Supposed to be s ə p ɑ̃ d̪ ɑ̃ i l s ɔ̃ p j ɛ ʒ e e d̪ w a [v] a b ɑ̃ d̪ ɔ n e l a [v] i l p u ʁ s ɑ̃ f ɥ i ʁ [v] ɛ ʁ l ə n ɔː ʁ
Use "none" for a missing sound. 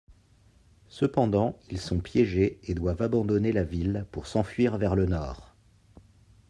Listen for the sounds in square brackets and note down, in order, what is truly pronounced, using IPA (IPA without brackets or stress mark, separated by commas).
v, v, v